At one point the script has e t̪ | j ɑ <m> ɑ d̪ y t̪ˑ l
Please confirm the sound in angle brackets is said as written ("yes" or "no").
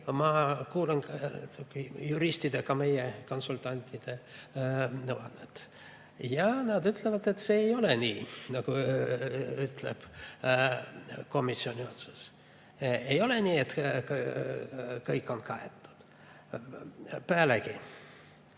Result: no